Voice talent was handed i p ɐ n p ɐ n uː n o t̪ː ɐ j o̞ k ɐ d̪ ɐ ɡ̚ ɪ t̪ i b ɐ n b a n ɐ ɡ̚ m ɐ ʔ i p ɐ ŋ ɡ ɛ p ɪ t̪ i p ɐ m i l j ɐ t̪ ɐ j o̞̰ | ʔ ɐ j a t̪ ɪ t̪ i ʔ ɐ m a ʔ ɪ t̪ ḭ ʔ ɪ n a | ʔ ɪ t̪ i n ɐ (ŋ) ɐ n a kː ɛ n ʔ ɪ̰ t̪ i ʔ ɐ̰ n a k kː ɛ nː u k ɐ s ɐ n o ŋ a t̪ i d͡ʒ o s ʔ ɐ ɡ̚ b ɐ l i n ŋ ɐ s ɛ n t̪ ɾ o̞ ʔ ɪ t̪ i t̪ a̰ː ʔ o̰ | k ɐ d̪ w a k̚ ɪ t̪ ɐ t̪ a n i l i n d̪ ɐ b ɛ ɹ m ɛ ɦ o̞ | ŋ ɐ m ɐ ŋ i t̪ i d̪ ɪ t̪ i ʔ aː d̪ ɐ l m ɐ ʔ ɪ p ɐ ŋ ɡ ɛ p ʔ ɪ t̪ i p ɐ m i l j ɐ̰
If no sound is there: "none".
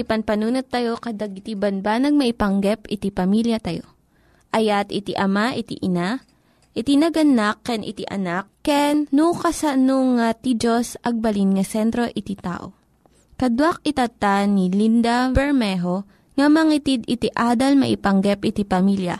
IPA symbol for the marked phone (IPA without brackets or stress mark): ɡ